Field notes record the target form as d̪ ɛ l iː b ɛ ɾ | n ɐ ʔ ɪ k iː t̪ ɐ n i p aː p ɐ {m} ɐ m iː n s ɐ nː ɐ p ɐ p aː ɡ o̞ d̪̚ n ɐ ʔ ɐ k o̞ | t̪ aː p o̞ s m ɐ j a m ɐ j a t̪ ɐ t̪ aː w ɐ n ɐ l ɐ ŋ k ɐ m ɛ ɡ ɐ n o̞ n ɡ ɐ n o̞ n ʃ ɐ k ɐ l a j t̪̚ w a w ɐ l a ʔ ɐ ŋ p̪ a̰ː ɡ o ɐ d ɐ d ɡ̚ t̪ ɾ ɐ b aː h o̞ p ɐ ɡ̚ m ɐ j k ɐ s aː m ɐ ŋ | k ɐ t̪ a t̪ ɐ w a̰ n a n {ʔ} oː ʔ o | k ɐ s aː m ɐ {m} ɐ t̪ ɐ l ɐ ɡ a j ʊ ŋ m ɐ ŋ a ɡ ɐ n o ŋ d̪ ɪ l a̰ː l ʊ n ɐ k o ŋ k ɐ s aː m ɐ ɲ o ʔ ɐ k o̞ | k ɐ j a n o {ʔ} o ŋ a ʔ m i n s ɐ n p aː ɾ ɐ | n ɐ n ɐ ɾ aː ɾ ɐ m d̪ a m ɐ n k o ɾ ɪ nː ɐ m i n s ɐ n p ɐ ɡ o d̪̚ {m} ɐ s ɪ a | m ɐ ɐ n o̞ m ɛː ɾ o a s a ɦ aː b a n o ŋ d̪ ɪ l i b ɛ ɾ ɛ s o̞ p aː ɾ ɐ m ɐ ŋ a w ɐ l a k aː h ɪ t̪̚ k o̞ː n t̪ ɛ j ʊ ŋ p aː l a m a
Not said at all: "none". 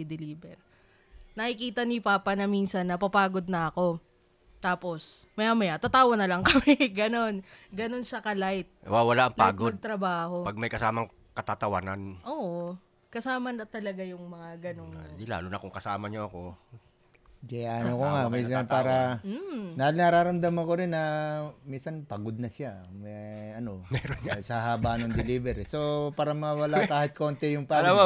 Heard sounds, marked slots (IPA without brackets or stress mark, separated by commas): n, ʔ, n, k, n